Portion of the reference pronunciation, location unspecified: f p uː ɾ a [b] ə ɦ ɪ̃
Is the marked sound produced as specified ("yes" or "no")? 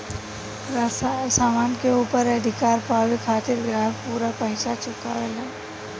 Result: no